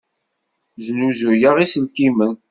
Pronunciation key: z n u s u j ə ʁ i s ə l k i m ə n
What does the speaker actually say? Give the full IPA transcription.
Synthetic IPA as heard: z n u z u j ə ʁ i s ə l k i m ə n

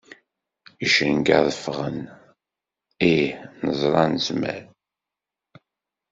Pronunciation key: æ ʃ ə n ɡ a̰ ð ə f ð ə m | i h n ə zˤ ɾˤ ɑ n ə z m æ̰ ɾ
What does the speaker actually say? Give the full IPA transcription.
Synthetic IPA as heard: i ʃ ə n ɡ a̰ ð ə f ʁ ə n | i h n ə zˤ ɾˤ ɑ n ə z m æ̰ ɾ

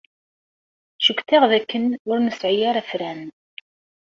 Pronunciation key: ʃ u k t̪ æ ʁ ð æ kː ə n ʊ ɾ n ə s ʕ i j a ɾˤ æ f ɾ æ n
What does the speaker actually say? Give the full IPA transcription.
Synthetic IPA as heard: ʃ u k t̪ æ ʁ ð æ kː ə n ʊ ɾ n ə s ʕ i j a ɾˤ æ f ɾ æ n

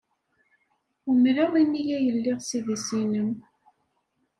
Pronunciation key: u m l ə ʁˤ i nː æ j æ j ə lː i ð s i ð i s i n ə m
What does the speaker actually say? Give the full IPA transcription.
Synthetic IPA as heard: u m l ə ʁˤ i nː i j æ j ə lː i ʁ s i ð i s i n ə m

